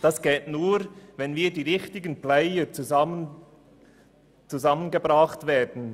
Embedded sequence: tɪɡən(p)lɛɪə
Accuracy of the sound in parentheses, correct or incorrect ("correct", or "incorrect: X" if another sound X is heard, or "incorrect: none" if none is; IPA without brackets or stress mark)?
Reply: correct